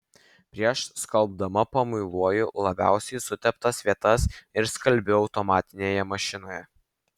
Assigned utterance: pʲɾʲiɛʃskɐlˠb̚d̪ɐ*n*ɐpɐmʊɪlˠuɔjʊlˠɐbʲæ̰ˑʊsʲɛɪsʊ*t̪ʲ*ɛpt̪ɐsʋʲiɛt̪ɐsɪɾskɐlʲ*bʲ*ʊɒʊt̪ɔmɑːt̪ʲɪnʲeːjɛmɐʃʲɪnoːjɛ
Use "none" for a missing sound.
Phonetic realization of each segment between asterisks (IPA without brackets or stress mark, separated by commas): m, t̪ʲ, bʲ